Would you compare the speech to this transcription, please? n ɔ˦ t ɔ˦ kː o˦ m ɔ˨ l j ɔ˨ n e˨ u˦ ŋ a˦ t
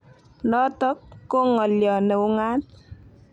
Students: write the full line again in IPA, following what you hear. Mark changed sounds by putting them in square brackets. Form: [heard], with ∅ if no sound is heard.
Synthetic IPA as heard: n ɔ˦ t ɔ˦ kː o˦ [ŋ] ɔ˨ l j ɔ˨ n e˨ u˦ ŋ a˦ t